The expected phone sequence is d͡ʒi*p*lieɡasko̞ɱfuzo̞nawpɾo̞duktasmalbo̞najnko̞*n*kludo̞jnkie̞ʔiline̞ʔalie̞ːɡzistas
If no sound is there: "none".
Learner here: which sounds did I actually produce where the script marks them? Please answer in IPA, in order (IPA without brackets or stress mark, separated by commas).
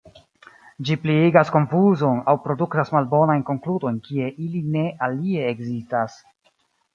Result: p, ŋ